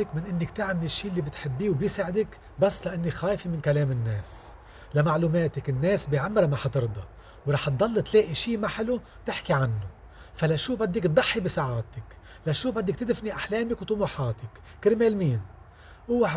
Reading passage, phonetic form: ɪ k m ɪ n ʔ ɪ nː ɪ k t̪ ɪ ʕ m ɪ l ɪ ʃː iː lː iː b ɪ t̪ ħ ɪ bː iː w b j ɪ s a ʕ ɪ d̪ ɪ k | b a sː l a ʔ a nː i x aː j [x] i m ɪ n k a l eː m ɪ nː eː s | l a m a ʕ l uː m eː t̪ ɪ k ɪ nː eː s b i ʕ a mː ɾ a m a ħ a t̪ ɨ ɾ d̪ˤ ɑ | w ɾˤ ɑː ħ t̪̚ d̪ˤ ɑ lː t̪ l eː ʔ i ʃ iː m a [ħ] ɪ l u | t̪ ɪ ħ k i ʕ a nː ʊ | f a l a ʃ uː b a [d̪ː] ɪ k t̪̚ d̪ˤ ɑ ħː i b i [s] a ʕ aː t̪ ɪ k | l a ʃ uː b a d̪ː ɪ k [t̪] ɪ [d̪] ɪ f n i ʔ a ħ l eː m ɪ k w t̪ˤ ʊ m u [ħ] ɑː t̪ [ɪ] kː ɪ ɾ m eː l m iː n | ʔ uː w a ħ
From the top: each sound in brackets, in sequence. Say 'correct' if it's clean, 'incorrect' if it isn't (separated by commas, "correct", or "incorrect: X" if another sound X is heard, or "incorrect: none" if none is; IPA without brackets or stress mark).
incorrect: f, correct, correct, correct, correct, correct, correct, correct